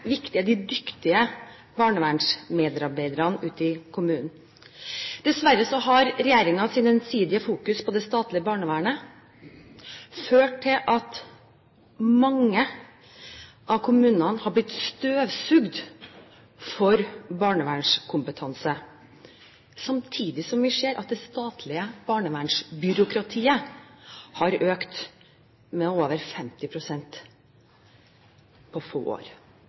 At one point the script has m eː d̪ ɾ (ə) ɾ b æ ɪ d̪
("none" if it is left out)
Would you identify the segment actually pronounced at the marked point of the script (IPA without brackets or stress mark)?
ɑ